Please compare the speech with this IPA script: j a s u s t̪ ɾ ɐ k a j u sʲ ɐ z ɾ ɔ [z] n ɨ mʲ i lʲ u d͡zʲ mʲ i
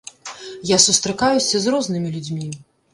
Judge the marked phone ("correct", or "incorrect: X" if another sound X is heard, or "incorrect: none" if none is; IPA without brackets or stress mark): correct